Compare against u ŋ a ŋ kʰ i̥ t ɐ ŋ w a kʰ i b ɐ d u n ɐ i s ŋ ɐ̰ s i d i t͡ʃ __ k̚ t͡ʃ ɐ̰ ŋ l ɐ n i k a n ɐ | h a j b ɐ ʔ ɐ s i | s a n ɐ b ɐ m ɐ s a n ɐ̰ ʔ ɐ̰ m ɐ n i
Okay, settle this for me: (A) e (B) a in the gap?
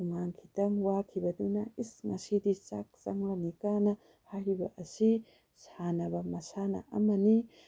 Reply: B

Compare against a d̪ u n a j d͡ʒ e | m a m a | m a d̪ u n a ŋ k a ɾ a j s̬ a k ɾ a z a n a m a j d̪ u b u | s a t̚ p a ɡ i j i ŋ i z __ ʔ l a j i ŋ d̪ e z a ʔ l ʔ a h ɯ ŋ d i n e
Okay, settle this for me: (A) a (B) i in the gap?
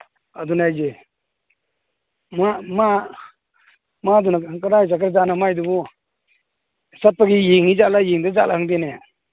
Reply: A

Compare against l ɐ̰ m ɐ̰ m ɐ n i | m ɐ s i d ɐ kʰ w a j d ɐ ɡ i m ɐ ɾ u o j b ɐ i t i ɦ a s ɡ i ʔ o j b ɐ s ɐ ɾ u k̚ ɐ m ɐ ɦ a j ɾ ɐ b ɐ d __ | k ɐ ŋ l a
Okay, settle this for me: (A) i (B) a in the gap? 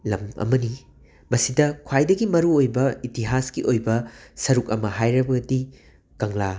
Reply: A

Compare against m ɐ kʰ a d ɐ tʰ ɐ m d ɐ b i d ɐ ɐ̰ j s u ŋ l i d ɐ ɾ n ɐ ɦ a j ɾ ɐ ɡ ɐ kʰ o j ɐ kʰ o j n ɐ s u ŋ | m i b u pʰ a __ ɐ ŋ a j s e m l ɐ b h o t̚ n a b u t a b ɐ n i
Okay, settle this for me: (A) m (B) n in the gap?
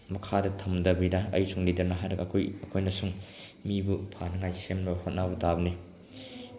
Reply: B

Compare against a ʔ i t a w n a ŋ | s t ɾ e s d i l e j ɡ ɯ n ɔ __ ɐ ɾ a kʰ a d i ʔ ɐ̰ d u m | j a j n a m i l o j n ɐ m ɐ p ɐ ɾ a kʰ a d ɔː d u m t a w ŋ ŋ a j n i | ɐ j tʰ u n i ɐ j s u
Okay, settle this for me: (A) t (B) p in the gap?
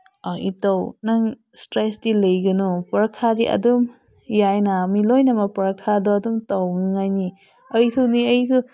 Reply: B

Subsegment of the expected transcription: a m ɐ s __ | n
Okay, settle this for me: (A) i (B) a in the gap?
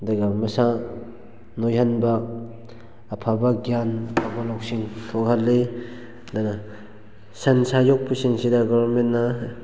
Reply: B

